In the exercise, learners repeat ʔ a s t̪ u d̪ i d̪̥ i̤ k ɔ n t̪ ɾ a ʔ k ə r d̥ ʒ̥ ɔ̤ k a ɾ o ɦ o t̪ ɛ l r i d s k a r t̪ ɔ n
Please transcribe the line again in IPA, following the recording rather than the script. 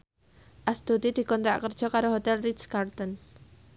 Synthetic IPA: ʔ a s t̪ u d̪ i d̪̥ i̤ k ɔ n t̪ ɾ a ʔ k ə r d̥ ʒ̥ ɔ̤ k a ɾ o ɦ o t̪ ɛ l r i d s k a r t̪ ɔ n